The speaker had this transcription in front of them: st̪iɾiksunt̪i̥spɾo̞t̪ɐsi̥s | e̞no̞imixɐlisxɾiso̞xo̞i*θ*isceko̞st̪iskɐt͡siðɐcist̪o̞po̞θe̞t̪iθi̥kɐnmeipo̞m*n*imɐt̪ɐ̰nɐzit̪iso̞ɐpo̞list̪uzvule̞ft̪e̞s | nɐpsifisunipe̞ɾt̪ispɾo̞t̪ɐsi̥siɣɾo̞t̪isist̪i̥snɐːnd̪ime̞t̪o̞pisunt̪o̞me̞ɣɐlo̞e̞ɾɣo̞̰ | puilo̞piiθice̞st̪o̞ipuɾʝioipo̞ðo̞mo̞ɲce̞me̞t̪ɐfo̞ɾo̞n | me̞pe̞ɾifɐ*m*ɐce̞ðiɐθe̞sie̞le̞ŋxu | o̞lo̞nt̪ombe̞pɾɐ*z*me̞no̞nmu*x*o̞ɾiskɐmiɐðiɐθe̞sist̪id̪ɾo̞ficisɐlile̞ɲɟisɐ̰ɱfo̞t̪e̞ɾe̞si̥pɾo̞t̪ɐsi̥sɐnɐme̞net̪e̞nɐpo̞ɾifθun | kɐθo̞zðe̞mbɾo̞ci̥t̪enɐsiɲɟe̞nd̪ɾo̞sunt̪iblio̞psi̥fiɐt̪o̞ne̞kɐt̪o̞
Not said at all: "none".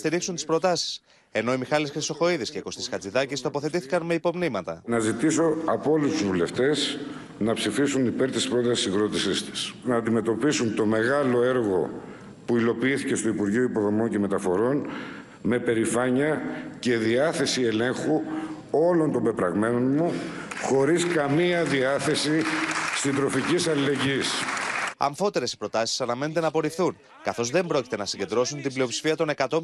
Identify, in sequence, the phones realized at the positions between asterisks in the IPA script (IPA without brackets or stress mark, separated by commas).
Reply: ð, n, ɲ, ɣ, x